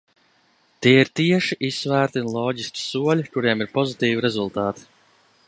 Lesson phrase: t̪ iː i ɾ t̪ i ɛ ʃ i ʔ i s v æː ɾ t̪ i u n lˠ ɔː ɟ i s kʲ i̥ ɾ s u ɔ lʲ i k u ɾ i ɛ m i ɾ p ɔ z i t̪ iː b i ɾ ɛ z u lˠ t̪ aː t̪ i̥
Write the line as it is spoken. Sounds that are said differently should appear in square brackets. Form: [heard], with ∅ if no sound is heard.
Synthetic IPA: t̪ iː i ɾ t̪ i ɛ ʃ i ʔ i s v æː ɾ t̪ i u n lˠ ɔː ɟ i s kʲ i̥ [∅] s u ɔ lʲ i k u ɾ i ɛ m i ɾ p ɔ z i t̪ iː [v] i ɾ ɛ z u lˠ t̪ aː t̪ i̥